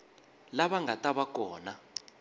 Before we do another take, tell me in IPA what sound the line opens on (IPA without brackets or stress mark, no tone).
l